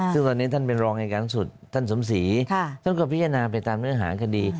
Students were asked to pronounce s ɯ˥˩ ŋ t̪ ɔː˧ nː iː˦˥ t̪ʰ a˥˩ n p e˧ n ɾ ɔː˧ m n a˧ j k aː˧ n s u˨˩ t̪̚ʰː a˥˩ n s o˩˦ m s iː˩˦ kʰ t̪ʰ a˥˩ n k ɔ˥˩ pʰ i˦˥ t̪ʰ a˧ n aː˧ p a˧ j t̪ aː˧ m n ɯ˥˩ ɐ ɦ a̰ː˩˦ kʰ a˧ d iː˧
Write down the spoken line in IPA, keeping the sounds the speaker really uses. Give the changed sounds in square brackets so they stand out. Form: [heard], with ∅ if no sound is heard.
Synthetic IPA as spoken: s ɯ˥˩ ŋ t̪ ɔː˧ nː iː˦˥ t̪ʰ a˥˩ n p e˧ n ɾ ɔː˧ [ŋ] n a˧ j k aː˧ n s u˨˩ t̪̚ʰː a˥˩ n s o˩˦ m s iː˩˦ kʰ t̪ʰ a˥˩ n k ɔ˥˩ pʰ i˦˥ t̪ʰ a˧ n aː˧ p a˧ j t̪ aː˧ m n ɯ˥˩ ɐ ɦ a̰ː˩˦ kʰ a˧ d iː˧

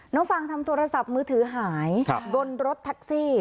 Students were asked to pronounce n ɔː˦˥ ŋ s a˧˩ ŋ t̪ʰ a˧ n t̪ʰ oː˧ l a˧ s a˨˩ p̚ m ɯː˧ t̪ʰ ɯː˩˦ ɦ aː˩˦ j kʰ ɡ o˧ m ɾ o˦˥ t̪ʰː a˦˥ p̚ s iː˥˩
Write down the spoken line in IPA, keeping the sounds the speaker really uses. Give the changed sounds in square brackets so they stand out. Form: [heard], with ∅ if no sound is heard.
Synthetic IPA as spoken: n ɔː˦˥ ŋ [f] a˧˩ ŋ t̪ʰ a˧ [m] t̪ʰ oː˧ [ɾ] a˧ s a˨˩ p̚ m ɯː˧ t̪ʰ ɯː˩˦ ɦ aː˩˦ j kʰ ɡ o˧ [n] ɾ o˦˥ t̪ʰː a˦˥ [k̚] s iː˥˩

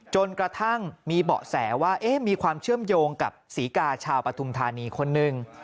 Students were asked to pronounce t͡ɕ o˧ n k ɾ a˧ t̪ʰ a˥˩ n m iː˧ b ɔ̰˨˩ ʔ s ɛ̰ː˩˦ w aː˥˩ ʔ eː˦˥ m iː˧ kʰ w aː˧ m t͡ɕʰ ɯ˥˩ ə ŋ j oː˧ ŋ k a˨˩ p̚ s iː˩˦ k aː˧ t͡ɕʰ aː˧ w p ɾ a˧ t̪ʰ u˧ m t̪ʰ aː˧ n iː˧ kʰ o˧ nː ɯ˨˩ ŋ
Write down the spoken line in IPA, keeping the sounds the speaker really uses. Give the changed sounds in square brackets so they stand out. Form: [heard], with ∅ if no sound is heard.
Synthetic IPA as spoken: t͡ɕ o˧ n k ɾ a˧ t̪ʰ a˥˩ [ŋ] m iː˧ b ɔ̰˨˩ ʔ s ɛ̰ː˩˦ w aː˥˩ ʔ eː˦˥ m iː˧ kʰ w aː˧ m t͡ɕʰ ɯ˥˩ ə [m] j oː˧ ŋ k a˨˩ p̚ s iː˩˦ k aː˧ t͡ɕʰ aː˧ w p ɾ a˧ t̪ʰ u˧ m t̪ʰ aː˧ n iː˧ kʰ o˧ nː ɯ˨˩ ŋ

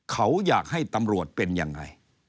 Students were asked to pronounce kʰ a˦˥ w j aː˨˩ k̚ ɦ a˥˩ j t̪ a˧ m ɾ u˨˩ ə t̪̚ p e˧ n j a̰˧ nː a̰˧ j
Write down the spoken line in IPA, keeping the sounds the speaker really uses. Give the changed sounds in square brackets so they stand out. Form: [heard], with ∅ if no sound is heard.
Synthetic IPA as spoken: kʰ a˦˥ w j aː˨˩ k̚ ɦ a˥˩ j t̪ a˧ m ɾ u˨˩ ə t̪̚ p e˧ n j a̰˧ [ŋː] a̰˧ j

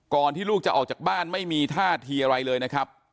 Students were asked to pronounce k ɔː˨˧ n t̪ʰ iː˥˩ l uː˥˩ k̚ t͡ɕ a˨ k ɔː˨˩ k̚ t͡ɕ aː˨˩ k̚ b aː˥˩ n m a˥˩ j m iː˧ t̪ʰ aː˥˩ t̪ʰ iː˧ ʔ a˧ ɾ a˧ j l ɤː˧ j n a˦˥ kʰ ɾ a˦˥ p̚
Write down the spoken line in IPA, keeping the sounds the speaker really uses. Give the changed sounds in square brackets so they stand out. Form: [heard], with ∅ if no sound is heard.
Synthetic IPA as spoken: k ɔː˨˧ n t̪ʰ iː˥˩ l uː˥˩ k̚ t͡ɕ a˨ [ʔ] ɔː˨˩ k̚ t͡ɕ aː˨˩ k̚ b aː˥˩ n m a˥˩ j m iː˧ t̪ʰ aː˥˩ t̪ʰ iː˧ ʔ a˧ ɾ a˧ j l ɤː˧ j n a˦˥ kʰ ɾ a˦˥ p̚

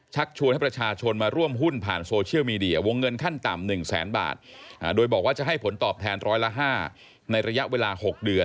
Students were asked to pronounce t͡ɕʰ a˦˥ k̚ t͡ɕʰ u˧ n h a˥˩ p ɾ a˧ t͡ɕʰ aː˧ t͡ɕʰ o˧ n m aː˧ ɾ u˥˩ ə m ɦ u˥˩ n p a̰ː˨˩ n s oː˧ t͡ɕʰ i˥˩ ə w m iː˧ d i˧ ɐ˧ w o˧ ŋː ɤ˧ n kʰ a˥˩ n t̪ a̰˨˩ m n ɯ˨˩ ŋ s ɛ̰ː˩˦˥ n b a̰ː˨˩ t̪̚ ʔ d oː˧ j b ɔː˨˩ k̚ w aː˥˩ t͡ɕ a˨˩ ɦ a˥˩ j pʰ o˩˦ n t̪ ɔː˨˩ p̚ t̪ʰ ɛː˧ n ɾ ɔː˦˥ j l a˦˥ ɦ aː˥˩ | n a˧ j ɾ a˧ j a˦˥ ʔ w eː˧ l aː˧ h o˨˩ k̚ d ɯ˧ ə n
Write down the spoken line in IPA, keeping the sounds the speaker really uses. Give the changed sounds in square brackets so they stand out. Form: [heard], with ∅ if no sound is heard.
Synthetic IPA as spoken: t͡ɕʰ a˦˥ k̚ t͡ɕʰ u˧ n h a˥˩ p ɾ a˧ t͡ɕʰ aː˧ t͡ɕʰ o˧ n m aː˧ ɾ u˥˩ ə m ɦ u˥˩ n [pʰ] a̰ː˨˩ n s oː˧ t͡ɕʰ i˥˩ ə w m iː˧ d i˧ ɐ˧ w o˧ ŋː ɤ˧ n kʰ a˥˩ n t̪ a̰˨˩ m n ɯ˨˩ ŋ s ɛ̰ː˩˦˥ n b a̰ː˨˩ t̪̚ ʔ d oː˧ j b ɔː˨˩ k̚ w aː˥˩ t͡ɕ a˨˩ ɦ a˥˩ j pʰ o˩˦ n t̪ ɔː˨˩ p̚ t̪ʰ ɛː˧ n ɾ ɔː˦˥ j l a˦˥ ɦ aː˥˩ | n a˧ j ɾ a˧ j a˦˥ ʔ w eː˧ l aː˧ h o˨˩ k̚ d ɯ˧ ə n

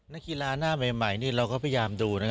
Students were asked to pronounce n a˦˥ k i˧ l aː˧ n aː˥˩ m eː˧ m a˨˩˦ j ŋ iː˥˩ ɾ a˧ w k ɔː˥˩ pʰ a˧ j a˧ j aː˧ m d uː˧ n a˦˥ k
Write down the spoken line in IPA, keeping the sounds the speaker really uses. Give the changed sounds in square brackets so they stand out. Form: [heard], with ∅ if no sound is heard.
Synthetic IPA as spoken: n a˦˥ k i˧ l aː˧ n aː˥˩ m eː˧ m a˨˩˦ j [n] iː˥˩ ɾ a˧ w k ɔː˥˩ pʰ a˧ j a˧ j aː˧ m d uː˧ n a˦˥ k

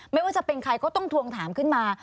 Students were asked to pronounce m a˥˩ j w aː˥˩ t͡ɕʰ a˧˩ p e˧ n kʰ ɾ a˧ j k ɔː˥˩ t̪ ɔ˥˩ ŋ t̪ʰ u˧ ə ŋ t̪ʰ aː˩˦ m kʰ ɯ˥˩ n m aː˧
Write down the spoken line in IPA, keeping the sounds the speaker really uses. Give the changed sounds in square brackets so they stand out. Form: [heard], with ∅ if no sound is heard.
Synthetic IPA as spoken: m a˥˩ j w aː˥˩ [t͡ɕ] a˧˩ p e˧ n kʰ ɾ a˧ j k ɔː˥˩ t̪ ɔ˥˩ ŋ t̪ʰ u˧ ə ŋ t̪ʰ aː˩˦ m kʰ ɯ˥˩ n m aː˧

